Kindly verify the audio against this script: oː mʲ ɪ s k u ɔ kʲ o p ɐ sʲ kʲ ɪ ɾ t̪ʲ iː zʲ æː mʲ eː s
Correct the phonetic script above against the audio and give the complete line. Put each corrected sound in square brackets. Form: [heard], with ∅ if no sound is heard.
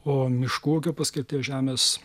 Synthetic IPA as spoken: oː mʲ ɪ [ʃ] k u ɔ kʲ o p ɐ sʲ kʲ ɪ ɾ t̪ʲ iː [ʒʲ] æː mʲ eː s